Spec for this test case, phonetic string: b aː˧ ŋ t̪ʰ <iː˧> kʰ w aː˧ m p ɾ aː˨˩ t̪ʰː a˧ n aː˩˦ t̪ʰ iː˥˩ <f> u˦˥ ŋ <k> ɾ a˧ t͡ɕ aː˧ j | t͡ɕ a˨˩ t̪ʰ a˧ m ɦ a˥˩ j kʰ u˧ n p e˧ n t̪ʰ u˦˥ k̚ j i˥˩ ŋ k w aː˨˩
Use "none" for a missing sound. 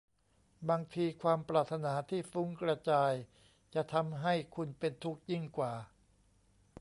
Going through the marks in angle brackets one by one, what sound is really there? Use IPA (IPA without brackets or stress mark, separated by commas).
iː˧, f, k